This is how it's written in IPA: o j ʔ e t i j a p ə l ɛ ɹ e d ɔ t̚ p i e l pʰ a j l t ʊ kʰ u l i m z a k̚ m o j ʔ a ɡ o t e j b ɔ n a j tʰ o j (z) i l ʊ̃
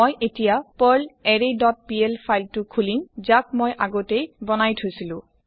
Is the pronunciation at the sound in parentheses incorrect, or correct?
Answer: incorrect: s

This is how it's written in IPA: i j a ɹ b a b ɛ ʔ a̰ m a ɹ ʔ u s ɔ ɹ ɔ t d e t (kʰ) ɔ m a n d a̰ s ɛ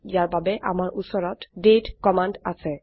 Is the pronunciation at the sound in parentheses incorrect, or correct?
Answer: incorrect: k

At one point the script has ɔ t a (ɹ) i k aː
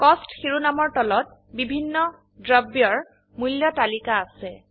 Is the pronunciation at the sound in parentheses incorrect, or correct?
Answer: incorrect: l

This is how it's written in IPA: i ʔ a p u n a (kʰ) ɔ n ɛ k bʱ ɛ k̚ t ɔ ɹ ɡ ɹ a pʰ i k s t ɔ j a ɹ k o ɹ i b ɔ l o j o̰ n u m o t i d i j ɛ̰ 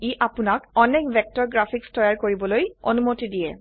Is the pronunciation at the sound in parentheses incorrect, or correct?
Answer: incorrect: k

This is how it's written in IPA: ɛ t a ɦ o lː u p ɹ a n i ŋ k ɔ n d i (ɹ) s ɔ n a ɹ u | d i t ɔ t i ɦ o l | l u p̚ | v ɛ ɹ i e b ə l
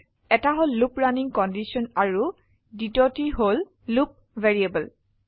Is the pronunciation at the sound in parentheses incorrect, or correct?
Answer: incorrect: none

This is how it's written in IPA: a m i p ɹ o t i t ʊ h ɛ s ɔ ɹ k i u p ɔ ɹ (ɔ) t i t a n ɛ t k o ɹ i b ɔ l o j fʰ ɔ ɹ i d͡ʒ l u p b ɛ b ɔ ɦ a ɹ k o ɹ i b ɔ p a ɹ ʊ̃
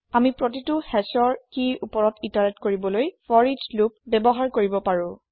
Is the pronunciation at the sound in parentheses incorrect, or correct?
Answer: correct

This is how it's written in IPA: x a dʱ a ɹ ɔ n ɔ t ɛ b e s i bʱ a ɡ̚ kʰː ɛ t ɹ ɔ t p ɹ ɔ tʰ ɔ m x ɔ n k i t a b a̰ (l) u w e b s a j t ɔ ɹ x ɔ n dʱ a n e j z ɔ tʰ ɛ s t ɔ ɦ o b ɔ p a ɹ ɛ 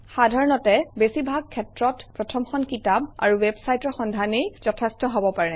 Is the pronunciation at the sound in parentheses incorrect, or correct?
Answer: incorrect: ɹ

